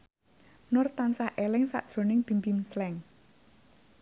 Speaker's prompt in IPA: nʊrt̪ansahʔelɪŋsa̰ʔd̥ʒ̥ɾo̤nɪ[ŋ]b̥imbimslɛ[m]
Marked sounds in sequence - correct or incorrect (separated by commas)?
correct, incorrect